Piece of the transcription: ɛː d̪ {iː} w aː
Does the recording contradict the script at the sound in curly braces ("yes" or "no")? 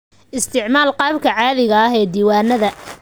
no